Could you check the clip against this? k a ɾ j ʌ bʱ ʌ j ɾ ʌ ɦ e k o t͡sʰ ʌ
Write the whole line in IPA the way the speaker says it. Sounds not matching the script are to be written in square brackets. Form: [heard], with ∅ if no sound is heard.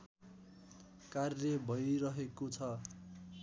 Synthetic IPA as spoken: k a [r] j ʌ bʱ ʌ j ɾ ʌ ɦ e k o t͡sʰ ʌ